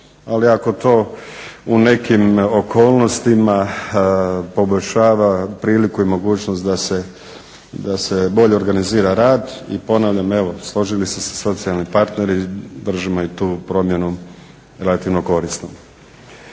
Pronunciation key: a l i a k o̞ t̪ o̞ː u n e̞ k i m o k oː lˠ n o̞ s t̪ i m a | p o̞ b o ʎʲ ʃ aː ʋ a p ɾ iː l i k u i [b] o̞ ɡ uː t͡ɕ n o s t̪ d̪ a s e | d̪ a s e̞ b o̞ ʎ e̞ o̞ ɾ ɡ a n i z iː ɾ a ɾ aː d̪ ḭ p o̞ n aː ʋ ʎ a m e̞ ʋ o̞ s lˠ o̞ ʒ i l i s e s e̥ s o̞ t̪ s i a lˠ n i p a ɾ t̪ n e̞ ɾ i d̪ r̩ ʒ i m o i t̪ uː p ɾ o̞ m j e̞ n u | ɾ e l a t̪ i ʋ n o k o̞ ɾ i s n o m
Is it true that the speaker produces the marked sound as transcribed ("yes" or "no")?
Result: no